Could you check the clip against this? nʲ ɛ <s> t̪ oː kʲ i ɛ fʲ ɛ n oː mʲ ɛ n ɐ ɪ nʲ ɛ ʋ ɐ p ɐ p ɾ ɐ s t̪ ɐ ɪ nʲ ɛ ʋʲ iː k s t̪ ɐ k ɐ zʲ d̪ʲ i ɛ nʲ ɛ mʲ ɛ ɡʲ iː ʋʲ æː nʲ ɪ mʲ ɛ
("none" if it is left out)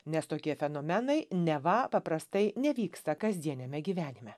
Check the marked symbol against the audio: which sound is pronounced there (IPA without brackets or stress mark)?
s